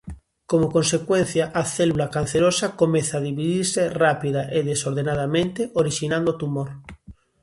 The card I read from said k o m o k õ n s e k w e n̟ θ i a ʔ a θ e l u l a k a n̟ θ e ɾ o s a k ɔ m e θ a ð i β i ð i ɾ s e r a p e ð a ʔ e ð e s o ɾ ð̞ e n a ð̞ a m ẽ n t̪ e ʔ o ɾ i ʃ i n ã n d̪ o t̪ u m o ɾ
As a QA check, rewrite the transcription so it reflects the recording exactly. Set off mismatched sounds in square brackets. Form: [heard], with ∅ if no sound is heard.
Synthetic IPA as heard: k o m o k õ n s e k w e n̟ θ [j] a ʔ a θ e l u l a k a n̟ θ e ɾ o s a k [o] m e θ a ð i β i ð i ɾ s e r a p [i] ð a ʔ e ð e s o ɾ ð̞ e n a ð̞ a m ẽ n t̪ e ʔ o ɾ i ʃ i n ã n d̪ o t̪ u m o ɾ